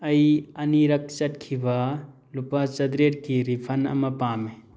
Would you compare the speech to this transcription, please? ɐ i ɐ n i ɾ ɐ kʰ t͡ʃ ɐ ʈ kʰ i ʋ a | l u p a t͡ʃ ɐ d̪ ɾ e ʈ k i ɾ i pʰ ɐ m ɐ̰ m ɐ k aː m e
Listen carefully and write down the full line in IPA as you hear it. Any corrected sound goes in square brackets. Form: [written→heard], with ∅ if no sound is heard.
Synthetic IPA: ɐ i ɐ n i ɾ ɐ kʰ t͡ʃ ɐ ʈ kʰ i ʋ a | l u p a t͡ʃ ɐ d̪ ɾ e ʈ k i ɾ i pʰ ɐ [m→n] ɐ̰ m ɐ [k→p] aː m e